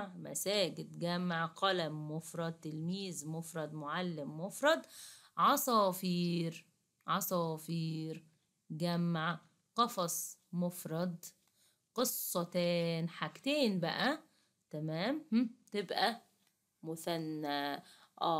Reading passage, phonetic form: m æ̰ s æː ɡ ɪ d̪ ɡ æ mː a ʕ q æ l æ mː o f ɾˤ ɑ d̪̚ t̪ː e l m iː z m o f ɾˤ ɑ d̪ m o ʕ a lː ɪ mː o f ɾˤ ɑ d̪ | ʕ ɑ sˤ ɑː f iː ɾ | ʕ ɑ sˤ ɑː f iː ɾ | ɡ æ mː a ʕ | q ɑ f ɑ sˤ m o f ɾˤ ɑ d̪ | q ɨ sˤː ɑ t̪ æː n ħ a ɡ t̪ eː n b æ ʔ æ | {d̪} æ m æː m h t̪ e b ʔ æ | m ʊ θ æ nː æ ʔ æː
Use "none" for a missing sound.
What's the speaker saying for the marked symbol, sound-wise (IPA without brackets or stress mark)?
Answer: t̪